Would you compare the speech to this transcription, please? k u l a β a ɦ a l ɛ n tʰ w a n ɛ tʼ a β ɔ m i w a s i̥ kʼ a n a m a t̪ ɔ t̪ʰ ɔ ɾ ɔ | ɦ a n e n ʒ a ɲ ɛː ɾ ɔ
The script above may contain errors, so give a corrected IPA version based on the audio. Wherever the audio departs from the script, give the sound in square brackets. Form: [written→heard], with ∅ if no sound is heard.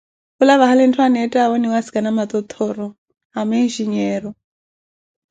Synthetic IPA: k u l a β a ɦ a l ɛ n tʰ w a n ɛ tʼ a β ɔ [m→n] i w a s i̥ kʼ a n a m a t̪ ɔ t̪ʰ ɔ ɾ ɔ | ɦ a [n→m] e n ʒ [a→i] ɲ ɛː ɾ ɔ